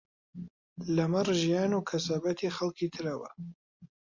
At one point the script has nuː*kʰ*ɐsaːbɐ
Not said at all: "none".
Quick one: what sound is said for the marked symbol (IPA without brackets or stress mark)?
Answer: kʰ